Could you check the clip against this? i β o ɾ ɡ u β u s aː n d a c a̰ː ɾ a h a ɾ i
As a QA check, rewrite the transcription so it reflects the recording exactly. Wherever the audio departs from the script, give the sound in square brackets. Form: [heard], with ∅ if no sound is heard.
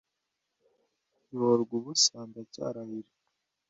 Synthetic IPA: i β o ɾ ɡ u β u s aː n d a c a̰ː ɾ a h [i] ɾ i